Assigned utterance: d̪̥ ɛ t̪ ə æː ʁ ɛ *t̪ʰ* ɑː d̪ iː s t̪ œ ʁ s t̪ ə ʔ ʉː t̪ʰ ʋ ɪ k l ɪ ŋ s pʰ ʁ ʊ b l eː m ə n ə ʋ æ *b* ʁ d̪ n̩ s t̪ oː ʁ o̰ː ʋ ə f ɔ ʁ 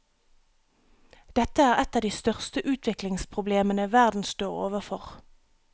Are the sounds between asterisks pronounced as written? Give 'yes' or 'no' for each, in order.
no, no

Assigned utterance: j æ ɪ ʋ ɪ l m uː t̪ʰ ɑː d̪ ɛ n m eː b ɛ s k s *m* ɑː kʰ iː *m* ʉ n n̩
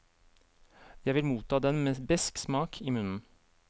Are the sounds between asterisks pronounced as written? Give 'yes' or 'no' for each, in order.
yes, yes

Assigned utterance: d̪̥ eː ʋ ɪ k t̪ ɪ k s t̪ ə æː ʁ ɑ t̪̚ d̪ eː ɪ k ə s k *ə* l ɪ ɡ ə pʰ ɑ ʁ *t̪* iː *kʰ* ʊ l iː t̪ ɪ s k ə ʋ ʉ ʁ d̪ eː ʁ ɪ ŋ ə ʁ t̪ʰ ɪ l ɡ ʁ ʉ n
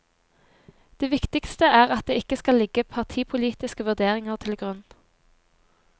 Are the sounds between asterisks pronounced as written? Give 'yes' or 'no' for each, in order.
no, no, no

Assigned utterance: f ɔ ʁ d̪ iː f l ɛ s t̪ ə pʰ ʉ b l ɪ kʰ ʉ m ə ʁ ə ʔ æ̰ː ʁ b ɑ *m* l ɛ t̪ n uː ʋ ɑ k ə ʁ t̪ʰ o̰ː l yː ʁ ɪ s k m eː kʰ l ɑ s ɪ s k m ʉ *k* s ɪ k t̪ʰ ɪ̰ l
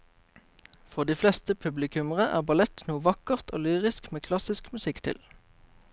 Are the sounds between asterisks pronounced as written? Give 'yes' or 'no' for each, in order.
no, no

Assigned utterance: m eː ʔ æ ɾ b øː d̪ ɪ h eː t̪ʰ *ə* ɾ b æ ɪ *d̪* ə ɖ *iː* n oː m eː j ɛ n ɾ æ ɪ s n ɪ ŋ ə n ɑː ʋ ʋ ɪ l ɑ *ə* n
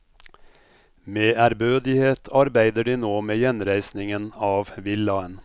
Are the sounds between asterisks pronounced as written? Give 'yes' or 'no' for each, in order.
no, yes, yes, yes

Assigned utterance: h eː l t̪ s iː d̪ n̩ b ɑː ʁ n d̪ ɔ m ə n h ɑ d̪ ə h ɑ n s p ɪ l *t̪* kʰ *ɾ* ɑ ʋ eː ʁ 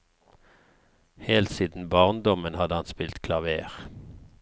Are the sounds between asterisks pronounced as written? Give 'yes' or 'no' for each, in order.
yes, no

